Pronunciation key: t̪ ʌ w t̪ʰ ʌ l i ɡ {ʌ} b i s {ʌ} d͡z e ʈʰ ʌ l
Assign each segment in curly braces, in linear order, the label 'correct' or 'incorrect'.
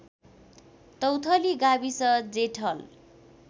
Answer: incorrect, correct

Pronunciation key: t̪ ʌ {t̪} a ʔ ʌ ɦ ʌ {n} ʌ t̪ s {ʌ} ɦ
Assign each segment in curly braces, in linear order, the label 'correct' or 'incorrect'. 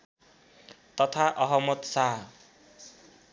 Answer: incorrect, incorrect, incorrect

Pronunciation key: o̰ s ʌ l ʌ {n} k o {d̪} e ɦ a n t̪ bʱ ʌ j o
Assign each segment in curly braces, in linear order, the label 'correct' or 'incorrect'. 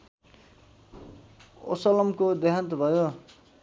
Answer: incorrect, correct

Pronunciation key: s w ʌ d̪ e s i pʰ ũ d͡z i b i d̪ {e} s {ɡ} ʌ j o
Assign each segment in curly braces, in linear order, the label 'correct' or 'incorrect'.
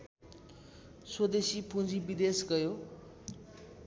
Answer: correct, correct

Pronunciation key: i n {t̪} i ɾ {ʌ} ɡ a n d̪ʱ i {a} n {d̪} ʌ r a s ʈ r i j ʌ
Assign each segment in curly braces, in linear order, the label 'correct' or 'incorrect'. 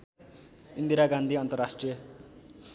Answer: incorrect, incorrect, incorrect, incorrect

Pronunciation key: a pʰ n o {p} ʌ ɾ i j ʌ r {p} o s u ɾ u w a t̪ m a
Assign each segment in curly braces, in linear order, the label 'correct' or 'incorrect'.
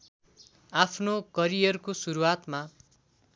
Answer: incorrect, incorrect

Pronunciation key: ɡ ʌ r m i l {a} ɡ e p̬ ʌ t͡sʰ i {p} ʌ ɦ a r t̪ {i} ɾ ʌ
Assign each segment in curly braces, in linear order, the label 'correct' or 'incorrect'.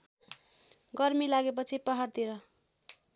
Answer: correct, correct, correct

